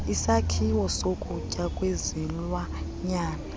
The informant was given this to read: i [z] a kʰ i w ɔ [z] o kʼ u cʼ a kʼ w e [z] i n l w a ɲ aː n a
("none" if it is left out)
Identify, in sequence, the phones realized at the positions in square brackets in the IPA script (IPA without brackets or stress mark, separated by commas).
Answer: s, s, z